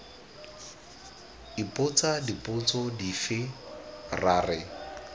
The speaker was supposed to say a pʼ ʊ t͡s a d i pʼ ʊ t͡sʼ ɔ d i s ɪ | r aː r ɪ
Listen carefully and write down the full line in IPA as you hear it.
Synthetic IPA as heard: i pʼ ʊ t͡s a d i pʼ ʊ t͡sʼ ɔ d i f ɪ | r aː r ɪ